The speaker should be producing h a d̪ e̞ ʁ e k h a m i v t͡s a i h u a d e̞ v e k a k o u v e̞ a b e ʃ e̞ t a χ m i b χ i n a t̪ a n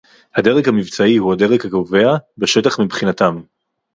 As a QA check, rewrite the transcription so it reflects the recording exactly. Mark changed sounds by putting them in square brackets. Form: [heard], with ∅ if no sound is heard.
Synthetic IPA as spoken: h a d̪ e̞ ʁ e k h a m i v t͡s a i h u a d e̞ [ʁ] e k a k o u v e̞ a b e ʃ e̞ t a χ m i b χ i n a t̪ a [m]